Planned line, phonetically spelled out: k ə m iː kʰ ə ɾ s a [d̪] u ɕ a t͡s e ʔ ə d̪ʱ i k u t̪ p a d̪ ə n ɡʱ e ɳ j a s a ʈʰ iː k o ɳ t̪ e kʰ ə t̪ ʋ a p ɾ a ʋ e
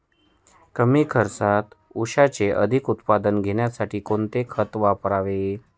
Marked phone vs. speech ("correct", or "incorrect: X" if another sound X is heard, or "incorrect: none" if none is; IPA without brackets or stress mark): incorrect: t̪